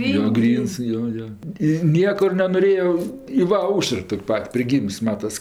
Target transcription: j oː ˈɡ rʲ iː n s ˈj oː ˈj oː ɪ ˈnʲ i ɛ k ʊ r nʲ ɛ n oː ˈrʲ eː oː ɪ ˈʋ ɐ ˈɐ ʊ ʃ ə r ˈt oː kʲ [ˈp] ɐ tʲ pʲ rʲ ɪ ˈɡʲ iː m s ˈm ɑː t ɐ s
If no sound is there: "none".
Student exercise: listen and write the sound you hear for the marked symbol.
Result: p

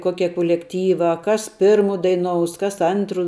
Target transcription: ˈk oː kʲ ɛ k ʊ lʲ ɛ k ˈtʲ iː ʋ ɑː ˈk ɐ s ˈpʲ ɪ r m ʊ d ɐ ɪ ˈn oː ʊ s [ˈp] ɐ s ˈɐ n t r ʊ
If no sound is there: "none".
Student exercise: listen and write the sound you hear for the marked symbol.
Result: k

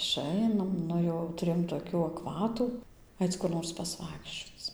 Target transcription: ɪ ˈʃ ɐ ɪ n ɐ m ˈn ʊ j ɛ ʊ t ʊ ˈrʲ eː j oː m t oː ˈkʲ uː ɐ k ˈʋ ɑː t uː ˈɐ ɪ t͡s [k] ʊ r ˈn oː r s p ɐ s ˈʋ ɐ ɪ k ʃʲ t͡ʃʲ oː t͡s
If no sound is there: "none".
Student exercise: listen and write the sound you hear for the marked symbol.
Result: k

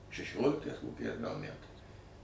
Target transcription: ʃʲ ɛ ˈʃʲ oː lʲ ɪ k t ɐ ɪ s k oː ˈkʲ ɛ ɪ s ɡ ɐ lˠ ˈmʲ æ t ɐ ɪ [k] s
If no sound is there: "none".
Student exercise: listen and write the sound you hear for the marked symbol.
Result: none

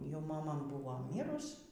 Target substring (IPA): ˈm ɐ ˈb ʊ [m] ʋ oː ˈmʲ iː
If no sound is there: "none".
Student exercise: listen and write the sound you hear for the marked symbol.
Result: none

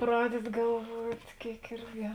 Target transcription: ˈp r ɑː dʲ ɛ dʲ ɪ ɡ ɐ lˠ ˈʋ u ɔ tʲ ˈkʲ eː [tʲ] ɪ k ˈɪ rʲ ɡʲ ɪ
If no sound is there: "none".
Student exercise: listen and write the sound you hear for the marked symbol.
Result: none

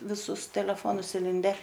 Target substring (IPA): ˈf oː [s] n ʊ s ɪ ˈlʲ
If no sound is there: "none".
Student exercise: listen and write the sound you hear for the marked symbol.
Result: none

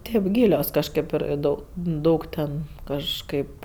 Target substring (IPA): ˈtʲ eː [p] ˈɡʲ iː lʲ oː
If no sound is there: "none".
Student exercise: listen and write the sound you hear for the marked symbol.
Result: p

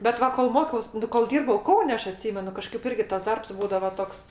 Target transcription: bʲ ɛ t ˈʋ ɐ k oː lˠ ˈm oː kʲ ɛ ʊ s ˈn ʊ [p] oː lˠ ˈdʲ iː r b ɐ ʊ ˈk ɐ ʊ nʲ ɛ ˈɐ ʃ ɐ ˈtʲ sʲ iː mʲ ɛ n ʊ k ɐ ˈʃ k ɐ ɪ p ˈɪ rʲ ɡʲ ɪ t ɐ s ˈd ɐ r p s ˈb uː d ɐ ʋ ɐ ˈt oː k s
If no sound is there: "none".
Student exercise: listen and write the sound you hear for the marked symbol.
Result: k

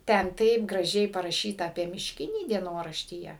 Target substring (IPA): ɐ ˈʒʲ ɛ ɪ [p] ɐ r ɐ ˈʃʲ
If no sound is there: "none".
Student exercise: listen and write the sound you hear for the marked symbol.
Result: p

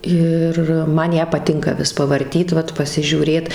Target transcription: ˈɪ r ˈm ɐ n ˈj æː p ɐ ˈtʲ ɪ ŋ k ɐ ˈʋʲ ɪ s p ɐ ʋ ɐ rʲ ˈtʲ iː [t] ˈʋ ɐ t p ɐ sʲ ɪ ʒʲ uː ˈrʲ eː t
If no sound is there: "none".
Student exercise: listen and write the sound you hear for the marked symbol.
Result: t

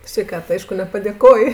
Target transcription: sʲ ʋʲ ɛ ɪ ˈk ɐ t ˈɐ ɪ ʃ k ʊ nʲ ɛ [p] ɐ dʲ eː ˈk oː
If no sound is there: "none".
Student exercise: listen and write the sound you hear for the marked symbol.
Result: p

